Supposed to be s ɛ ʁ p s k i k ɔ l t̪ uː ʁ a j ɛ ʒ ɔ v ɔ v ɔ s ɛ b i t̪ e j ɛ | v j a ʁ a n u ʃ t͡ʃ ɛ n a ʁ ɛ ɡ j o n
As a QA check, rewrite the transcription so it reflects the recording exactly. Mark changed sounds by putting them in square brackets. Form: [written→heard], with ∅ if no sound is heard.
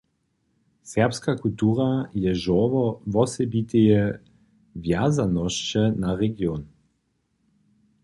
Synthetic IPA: s ɛ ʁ p s k [i→a] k [ɔ→u] l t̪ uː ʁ a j ɛ ʒ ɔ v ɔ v ɔ s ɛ b i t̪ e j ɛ | v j a [ʁ→z] a n [u→ɔ] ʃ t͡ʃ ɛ n a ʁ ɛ ɡ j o n